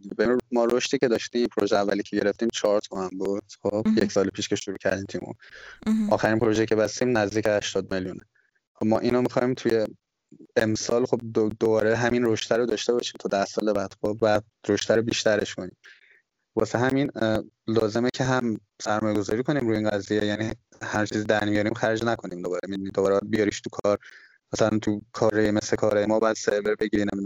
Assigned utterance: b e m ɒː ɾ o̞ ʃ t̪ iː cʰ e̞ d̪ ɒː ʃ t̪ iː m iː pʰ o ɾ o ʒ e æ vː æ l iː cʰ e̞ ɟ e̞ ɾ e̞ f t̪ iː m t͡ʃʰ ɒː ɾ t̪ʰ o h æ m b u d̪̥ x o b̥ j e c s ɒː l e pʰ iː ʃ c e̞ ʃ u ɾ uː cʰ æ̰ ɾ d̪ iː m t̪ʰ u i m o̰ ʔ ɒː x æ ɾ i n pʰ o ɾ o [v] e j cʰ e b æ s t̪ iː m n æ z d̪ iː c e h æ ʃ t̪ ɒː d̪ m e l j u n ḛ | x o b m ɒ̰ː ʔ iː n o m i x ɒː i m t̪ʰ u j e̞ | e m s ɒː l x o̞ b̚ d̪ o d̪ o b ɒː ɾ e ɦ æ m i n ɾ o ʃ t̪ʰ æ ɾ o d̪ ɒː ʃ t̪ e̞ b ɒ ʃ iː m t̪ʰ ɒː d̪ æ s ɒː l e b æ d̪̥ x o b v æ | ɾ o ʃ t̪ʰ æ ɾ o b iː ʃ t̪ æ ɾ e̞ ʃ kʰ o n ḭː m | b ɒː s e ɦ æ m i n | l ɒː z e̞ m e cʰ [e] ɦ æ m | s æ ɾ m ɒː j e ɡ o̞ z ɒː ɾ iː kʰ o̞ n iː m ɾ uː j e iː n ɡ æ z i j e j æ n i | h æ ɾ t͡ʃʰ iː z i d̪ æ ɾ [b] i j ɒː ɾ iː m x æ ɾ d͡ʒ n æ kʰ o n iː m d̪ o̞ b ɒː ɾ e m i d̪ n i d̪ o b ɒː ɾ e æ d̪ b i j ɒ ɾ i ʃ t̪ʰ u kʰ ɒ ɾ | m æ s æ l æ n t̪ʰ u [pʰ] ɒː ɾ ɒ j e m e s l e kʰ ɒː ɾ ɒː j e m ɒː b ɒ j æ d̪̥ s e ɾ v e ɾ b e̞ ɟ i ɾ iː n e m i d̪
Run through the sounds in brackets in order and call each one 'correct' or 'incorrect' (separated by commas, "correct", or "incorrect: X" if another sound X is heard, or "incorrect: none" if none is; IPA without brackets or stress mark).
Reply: incorrect: ʒ, correct, incorrect: m, incorrect: kʰ